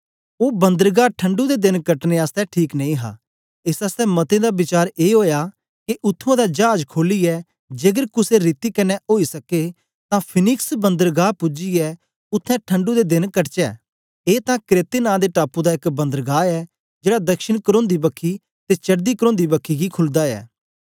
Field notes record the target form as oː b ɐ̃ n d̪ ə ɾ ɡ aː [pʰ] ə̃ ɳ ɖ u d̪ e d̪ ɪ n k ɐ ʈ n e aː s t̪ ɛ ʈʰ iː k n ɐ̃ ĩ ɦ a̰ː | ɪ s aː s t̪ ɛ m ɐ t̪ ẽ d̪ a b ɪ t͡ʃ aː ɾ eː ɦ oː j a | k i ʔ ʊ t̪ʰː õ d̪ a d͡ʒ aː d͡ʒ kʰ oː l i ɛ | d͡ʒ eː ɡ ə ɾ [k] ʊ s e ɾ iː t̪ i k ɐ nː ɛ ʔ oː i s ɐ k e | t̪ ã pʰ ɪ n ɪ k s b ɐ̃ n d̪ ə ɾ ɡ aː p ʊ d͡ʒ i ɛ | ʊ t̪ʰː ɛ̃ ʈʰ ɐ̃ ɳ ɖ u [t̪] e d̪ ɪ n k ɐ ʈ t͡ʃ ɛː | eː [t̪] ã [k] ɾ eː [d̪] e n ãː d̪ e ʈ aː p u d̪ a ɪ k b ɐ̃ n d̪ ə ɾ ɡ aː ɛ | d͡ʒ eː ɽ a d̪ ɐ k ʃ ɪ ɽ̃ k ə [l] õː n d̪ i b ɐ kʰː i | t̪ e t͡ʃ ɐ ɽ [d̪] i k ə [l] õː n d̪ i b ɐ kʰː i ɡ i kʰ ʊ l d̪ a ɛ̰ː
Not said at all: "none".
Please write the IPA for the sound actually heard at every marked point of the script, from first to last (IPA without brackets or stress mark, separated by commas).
ʈʰ, k, d̪, t̪, k, t̪, ɾ, d̪, ɾ